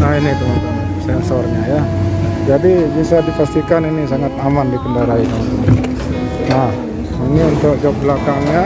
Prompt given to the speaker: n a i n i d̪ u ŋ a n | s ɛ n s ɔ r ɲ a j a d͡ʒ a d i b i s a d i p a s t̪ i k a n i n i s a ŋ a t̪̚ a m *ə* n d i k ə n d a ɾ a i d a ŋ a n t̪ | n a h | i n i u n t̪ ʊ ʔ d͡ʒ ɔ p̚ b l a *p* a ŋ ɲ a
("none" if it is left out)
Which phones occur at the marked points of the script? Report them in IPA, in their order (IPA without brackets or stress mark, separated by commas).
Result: a, k